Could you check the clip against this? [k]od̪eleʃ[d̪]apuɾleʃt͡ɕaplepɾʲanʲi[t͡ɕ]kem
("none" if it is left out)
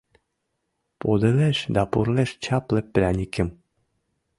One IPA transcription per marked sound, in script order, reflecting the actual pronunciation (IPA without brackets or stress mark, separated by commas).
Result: p, d̪, none